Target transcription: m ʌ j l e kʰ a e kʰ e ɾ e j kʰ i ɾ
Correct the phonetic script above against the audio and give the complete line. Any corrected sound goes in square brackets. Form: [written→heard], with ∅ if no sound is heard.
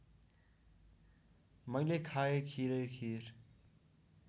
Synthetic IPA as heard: m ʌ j l e kʰ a e kʰ [e→i] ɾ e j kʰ i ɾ